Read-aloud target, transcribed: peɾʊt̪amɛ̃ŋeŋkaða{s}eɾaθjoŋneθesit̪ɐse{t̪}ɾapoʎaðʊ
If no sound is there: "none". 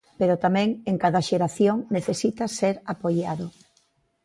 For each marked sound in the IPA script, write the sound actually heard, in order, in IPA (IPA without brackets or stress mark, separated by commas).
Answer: ʃ, none